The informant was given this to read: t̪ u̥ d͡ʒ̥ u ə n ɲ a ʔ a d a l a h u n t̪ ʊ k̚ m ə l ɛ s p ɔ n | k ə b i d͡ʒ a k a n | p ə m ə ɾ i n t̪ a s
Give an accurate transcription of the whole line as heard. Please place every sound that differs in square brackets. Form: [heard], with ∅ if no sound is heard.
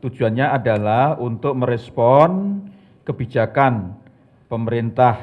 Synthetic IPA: t̪ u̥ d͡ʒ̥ u [a] n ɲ a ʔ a d a l a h u n t̪ ʊ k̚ m ə [ɾ] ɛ s p ɔ n | k ə b i d͡ʒ a k a n | p ə m ə ɾ i n t̪ a [h]